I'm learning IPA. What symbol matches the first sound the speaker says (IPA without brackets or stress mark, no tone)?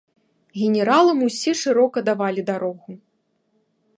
ɣʲ